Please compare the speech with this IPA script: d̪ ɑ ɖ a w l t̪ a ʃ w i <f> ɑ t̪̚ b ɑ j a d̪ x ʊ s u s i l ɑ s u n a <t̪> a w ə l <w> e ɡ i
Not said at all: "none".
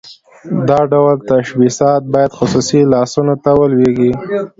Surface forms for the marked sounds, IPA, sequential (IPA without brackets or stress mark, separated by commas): s, t̪, w